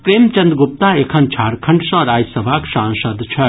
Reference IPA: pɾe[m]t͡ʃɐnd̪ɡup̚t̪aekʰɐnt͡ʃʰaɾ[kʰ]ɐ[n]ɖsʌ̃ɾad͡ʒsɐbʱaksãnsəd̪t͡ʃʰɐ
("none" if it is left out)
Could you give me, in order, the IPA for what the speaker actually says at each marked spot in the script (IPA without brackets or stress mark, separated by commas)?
m, kʰ, ɳ